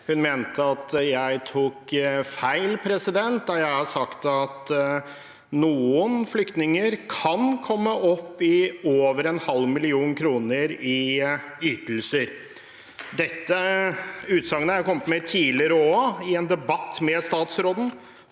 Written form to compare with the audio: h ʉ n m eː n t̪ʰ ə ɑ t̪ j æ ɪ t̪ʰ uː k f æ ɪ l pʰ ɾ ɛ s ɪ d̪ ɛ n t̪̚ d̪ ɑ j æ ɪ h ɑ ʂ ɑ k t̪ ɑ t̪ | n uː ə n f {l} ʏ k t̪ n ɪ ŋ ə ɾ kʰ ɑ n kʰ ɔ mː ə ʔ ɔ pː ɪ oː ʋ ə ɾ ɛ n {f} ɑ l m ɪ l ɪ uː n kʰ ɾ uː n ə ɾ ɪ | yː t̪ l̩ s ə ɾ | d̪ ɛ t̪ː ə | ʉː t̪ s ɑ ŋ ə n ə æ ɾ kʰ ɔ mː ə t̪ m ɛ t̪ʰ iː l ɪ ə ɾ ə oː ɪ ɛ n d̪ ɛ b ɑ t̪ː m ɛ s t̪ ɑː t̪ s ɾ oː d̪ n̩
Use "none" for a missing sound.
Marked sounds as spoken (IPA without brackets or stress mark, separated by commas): l, h